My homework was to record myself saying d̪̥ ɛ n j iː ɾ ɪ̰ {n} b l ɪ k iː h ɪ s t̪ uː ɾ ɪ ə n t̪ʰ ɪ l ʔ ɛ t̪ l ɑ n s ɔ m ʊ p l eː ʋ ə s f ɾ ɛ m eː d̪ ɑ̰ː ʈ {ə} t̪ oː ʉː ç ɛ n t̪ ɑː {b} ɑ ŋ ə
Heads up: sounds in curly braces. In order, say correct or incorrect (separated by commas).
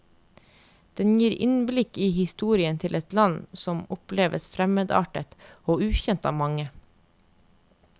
correct, correct, incorrect